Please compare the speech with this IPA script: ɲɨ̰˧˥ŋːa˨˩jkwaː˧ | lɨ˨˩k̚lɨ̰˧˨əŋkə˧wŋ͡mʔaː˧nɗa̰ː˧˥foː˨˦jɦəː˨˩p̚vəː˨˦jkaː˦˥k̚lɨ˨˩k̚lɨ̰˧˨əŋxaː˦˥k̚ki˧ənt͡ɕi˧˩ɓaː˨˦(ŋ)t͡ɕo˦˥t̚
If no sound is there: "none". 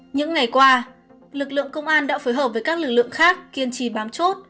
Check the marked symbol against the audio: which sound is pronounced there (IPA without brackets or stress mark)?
m